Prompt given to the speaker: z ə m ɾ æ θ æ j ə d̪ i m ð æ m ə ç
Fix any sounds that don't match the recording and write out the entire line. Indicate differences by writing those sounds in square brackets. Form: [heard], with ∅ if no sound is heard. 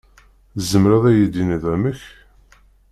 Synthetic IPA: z ə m ɾ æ [ð] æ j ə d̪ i [n] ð æ m ə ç

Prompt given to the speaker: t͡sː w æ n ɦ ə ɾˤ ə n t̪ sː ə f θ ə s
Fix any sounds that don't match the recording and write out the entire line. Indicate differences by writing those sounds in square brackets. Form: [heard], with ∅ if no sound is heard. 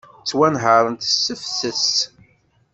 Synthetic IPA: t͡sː w æ n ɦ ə ɾˤ ə n t̪ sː ə f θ ə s

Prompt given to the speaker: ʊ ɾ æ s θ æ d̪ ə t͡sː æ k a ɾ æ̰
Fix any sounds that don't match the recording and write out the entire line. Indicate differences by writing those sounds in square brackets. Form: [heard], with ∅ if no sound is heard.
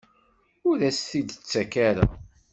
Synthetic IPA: ʊ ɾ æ s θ [i] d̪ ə t͡sː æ k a ɾ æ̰

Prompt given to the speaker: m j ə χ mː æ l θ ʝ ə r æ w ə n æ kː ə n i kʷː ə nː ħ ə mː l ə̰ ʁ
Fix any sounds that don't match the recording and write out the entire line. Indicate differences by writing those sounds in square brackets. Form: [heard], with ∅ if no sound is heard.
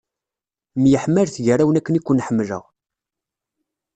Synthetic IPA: m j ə [ħ] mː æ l θ ʝ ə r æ w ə n æ kː ə n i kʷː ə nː ħ ə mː l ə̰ ʁ

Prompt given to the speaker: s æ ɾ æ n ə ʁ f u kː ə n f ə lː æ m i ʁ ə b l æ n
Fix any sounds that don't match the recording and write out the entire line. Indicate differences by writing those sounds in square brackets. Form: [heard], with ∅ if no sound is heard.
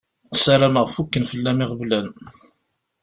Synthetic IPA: s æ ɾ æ [m] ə ʁ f u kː ə n f ə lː æ m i ʁ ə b l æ n

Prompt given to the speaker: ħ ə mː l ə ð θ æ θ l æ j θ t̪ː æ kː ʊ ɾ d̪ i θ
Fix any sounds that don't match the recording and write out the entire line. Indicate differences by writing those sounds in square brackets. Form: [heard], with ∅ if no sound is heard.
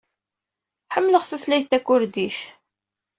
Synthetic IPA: ħ ə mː l ə [ʁ] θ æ θ l æ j θ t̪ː æ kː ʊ ɾ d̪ i θ

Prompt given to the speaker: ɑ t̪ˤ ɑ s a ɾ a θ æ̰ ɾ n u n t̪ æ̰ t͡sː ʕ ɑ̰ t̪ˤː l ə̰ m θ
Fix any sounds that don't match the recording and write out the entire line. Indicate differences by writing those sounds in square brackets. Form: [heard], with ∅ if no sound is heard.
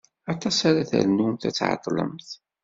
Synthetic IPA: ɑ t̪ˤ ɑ s a ɾ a θ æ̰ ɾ n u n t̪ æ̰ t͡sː ʕ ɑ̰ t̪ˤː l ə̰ m θ

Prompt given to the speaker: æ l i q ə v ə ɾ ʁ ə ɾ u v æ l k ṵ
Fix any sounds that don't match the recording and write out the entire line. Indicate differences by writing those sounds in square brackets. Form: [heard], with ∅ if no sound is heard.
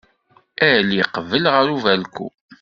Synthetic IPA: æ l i q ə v ə [l] ʁ ə ɾ u v æ l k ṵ

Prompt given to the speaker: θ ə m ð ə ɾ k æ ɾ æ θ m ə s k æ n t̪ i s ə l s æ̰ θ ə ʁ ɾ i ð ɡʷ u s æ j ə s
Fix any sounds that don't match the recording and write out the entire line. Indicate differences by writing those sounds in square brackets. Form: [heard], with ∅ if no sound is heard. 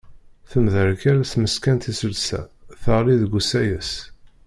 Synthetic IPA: θ ə m ð ə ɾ k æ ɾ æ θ m ə s k æ n t̪ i s ə l s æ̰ θ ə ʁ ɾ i ð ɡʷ u s æ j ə s

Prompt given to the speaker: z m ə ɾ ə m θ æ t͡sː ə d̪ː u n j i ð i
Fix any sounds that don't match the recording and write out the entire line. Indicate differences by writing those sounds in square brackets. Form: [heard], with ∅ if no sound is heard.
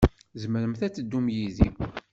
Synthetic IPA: z m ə ɾ ə m θ æ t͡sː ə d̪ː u [m] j i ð i

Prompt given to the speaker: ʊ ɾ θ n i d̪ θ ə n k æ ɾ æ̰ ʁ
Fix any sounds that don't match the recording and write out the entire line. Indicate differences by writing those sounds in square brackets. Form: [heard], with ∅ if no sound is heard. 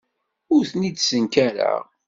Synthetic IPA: ʊ ɾ θ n i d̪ [s] ə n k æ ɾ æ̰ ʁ

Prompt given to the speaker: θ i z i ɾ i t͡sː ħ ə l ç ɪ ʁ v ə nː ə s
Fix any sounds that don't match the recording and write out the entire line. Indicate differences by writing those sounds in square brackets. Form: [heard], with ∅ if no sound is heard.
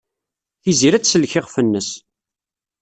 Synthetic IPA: θ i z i ɾ [æ] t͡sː [s] ə l ç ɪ ʁ [f] ə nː ə s

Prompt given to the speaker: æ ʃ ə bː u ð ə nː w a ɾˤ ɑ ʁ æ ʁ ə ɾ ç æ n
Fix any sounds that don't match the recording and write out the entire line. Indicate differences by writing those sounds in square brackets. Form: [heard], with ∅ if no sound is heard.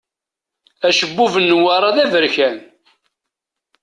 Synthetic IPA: æ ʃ ə bː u [v] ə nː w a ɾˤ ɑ [ð] æ [v] ə ɾ ç æ n

